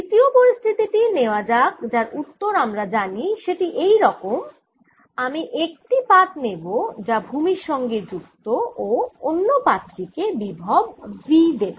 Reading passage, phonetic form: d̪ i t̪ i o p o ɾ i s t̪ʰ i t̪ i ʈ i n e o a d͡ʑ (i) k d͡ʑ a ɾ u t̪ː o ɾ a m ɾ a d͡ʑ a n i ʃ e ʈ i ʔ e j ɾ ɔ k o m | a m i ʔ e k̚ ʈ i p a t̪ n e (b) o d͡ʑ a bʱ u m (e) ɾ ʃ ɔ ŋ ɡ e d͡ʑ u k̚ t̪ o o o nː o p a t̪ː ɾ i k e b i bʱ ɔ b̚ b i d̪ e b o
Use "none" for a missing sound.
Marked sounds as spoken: a, b, i

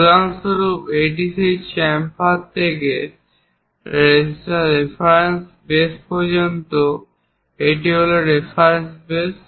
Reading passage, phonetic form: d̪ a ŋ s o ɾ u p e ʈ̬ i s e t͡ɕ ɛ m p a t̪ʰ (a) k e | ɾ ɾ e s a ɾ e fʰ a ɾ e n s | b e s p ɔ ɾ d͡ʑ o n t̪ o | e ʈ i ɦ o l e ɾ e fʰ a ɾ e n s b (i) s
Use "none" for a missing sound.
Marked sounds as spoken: e, e

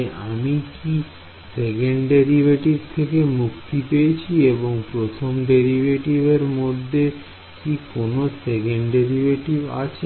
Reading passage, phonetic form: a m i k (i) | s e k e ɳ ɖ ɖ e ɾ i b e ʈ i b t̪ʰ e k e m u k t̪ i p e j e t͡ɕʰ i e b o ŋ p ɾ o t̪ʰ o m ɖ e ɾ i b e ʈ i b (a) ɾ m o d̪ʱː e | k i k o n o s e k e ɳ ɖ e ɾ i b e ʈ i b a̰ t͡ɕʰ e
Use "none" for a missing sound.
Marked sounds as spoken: i, e

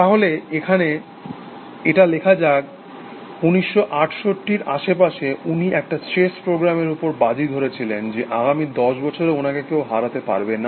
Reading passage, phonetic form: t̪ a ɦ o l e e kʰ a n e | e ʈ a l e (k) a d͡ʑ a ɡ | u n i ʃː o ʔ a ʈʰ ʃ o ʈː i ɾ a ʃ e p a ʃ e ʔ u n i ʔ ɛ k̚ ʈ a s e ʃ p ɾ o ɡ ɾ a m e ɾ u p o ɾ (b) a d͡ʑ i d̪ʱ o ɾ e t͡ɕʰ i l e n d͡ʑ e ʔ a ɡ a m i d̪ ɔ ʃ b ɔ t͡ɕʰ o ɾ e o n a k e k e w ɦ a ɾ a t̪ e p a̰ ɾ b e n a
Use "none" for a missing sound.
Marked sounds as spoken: kʰ, b

